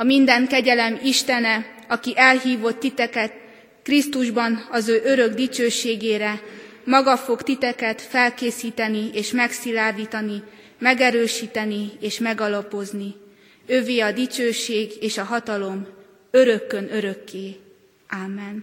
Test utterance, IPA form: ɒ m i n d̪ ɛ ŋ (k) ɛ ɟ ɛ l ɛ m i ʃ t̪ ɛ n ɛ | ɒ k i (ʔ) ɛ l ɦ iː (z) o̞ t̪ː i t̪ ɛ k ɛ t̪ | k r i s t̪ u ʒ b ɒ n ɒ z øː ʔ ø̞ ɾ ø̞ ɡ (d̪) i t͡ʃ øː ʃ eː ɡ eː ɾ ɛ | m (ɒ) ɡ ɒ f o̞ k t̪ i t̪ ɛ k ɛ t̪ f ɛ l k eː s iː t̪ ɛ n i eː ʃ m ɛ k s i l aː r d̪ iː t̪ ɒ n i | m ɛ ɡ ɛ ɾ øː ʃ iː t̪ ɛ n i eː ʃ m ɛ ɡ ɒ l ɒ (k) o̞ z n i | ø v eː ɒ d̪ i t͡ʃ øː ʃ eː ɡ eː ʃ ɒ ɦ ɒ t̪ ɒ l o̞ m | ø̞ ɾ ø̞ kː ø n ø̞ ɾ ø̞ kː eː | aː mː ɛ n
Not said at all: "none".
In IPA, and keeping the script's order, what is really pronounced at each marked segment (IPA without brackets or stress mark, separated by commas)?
k, ʔ, v, d̪, ɒ, p